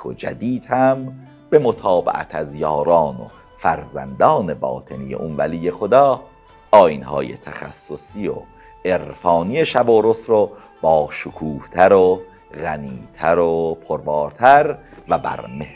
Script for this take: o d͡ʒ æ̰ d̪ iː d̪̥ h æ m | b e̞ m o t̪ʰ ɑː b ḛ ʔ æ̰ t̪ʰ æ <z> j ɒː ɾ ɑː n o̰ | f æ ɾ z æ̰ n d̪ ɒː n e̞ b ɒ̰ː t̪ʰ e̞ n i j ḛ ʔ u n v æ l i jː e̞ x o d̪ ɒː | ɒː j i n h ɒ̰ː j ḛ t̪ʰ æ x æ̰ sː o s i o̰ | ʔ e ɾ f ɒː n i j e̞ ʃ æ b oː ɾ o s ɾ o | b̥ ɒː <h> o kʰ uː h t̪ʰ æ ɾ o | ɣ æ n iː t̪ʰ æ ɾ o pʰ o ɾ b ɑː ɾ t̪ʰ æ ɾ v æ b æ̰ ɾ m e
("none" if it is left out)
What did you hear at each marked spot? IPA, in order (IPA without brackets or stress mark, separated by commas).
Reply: z, ʃ